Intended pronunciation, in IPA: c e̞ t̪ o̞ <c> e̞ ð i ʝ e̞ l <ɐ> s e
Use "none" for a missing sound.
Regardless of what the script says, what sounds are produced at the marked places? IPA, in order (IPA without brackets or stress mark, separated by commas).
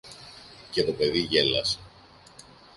p, ɐ